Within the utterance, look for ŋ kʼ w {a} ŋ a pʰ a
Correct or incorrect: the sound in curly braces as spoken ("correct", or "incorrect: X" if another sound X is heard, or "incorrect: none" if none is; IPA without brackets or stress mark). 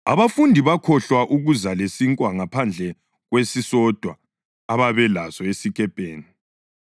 correct